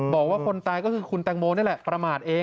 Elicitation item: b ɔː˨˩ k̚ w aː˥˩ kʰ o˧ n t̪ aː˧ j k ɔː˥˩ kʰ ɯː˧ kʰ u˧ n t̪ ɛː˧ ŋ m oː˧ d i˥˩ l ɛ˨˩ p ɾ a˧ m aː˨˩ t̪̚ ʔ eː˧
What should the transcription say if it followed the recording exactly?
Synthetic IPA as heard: b ɔː˨˩ k̚ w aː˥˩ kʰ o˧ n t̪ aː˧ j k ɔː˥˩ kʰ ɯː˧ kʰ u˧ n t̪ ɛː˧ ŋ m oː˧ n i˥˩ l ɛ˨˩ p ɾ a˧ m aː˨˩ t̪̚ ʔ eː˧

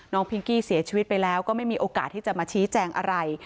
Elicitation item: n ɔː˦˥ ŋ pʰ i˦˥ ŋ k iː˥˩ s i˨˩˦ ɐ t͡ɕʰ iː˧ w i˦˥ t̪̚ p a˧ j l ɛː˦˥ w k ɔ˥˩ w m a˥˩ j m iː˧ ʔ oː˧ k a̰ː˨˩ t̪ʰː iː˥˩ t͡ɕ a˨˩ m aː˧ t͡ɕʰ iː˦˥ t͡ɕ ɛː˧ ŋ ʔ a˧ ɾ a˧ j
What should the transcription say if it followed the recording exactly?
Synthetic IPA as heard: n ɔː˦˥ ŋ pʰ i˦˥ ŋ k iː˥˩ s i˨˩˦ ɐ t͡ɕʰ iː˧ w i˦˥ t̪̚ p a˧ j l ɛː˦˥ w k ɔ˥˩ m a˥˩ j m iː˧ ʔ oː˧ k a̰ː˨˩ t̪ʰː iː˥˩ t͡ɕ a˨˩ m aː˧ t͡ɕʰ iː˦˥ t͡ɕ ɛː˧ ŋ ʔ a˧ ɾ a˧ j

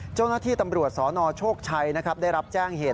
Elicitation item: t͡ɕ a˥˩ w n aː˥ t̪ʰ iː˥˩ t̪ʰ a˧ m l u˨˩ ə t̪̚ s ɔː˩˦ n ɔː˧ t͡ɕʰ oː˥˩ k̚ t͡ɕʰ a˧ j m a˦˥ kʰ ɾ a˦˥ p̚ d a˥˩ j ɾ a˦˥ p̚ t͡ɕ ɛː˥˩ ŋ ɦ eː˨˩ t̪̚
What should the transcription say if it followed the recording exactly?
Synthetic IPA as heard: t͡ɕ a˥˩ w n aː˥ t̪ʰ iː˥˩ t̪ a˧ m ɾ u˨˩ ə t̪̚ s ɔː˩˦ n ɔː˧ t͡ɕʰ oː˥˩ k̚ t͡ɕʰ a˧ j n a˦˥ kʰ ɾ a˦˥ p̚ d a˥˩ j ɾ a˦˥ p̚ t͡ɕ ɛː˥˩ ŋ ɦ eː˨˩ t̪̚

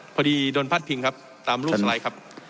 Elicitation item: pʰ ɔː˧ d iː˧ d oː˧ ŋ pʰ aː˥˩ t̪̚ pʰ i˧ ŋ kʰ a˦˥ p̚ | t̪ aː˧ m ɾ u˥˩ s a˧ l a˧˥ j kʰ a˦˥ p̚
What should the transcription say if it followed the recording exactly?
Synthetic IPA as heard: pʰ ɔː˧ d iː˧ d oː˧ n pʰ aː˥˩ t̪̚ pʰ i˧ ŋ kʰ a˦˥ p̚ | t̪ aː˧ m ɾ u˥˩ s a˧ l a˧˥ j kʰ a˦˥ p̚

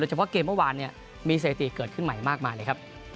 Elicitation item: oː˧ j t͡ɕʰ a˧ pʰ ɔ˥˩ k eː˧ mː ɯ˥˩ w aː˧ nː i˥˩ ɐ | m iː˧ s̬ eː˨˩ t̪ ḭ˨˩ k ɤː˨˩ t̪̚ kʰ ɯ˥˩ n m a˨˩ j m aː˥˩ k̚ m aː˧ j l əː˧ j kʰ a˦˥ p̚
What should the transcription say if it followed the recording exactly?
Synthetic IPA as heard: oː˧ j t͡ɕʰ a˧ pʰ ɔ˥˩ k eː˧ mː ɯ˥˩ w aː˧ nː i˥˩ ɐ | m iː˧ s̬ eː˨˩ t̪ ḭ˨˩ k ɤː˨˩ t̪̚ kʰ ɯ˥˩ n m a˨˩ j m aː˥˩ k̚ m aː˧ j l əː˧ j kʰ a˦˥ p̚

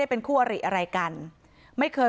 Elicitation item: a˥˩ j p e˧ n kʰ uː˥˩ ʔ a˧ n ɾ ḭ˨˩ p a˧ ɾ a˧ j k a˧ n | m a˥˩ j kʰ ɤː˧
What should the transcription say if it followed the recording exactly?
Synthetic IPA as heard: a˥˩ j p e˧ n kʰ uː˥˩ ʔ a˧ ɾ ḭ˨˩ ʔ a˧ ɾ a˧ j k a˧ n | m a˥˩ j kʰ ɤː˧

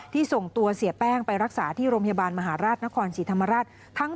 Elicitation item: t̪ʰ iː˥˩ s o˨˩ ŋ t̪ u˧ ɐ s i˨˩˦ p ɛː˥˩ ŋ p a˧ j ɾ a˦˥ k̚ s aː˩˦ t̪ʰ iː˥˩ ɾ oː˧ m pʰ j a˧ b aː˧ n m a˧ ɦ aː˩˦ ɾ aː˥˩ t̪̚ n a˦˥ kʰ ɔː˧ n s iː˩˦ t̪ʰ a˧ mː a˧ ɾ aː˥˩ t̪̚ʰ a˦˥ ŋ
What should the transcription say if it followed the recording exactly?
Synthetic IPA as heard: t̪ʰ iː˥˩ s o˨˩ ŋ t̪ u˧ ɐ s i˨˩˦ p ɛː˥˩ ŋ p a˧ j ɾ a˦˥ k̚ s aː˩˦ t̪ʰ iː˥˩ ɾ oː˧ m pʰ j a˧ b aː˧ n m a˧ ɦ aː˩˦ ɾ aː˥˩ t̪̚ n a˦˥ kʰ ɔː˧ n s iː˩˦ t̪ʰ a˧ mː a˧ ɾ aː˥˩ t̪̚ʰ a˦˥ ŋ

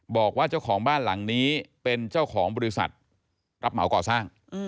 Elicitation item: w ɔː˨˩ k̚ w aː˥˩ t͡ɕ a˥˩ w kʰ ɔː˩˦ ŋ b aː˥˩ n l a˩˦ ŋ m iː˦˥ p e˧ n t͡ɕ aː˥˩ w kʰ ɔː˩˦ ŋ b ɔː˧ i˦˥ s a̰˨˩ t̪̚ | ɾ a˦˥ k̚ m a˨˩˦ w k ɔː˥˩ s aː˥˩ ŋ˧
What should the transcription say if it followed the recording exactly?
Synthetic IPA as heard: b ɔː˨˩ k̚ w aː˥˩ t͡ɕ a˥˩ w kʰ ɔː˩˦ ŋ b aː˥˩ n l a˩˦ ŋ n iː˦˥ p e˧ n t͡ɕ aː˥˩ w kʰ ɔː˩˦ ŋ b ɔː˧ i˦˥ s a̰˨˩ t̪̚ | ɾ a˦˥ p̚ m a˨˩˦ w k ɔː˨˩ s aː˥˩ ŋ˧

